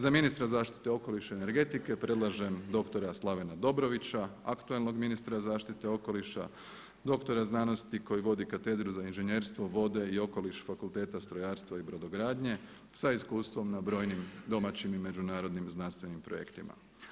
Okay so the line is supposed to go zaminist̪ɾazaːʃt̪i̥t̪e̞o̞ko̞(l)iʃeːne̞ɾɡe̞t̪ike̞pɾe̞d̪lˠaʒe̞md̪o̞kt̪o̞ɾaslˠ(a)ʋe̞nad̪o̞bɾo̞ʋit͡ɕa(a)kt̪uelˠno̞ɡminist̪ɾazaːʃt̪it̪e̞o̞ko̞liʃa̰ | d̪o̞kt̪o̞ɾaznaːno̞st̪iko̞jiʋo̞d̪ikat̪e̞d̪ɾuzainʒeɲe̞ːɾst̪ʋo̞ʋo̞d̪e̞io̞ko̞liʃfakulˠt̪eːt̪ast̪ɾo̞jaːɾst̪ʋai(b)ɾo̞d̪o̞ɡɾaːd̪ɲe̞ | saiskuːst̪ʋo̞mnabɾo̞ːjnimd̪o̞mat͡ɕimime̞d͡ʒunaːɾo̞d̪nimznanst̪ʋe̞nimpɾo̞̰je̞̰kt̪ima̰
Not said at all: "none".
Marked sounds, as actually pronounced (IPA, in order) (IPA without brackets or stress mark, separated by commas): l, a, a, b